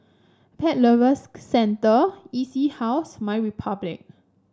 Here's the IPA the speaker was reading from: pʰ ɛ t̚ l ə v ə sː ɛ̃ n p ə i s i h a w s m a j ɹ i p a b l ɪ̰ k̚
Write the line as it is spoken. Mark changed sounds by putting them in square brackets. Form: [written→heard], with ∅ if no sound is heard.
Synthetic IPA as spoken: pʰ ɛ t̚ l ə v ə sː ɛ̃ n [p→t] ə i s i h a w s m a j ɹ i [p→pʰ] a b l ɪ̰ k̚

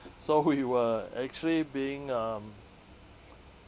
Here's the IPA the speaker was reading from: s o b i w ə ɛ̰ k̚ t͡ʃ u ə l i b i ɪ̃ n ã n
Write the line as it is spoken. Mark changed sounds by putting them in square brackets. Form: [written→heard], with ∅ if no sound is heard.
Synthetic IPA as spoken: s o [b→w] i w ə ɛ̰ k̚ t͡ʃ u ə l i b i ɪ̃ [n→ŋ] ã [n→m]

